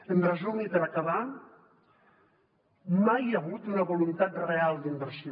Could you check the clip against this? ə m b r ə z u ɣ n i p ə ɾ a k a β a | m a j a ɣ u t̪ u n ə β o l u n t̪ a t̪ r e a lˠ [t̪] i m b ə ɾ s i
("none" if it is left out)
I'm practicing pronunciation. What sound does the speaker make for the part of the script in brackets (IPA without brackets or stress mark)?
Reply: d̪